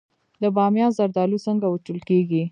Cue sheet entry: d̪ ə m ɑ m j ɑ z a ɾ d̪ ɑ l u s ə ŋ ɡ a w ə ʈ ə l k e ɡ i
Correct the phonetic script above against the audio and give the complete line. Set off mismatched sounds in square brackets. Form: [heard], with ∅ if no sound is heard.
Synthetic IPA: d̪ ə [b] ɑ m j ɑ z a ɾ d̪ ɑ l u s ə ŋ ɡ a w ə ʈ ə l k e ɡ i